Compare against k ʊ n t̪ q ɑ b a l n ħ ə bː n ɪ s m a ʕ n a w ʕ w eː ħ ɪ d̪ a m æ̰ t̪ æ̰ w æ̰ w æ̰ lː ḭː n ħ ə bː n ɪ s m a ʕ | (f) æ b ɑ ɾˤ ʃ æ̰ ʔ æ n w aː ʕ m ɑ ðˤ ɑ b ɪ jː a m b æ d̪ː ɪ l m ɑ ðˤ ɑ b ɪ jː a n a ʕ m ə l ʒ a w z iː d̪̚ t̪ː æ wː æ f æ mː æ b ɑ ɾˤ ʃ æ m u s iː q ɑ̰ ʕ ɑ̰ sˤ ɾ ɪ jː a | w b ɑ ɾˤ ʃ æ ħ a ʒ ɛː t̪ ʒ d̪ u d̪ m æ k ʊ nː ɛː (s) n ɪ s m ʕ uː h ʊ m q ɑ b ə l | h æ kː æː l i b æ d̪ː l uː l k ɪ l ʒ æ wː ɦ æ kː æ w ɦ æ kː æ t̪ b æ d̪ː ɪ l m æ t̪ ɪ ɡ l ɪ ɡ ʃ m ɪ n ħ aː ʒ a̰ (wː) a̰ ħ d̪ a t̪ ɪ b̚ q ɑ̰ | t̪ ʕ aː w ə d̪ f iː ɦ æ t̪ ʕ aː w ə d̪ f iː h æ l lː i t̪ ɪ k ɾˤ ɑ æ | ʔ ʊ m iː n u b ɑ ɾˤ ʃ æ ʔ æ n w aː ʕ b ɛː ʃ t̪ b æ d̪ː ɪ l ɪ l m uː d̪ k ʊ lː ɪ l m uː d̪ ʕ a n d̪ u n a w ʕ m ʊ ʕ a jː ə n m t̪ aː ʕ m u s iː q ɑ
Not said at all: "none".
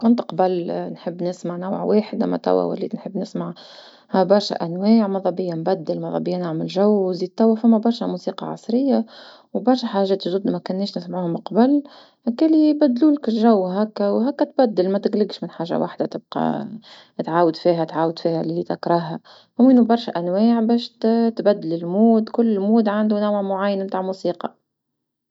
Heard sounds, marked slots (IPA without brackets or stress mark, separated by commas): h, ʃ, w